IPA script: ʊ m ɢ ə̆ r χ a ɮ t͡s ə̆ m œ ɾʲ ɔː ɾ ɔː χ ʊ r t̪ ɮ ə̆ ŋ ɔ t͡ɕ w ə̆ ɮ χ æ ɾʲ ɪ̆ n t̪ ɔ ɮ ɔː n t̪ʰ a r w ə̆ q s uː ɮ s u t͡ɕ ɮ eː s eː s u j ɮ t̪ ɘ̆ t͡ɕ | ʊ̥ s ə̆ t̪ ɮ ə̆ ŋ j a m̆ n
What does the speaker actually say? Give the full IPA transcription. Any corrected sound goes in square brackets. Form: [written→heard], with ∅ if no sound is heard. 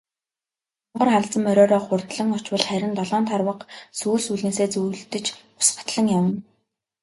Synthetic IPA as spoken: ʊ [m→ɴ] ɢ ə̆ r χ a ɮ t͡s ə̆ m œ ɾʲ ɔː ɾ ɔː χ ʊ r t̪ ɮ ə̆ ŋ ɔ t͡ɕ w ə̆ ɮ χ æ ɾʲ ɪ̆ n t̪ ɔ ɮ ɔː n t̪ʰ a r w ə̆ q s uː ɮ s u [t͡ɕ→∅] ɮ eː s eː [s→t͡s] u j ɮ t̪ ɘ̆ t͡ɕ | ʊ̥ s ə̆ t̪ ɮ ə̆ ŋ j a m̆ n